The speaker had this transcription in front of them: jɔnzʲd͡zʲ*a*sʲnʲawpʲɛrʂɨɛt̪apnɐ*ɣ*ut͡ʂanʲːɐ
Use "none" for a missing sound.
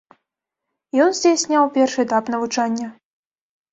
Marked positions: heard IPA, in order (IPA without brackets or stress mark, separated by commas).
e, v